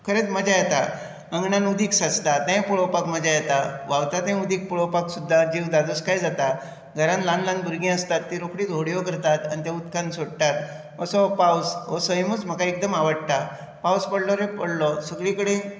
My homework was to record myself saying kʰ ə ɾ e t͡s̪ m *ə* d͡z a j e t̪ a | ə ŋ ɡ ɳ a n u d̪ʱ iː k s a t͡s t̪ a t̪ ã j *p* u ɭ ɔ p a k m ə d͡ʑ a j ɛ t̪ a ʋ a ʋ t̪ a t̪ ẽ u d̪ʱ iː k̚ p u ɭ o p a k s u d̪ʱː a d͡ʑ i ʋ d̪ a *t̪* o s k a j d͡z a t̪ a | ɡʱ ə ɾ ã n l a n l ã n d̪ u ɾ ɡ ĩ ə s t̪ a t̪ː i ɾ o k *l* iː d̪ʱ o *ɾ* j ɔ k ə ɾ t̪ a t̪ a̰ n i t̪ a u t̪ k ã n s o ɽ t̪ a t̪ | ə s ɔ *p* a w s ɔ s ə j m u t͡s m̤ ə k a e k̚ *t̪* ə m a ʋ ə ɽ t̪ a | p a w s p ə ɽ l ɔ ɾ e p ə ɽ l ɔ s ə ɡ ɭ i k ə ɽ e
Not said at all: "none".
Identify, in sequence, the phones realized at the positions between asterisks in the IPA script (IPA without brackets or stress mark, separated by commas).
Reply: ə, p, d̪, ɽ, ɽ, p, d̪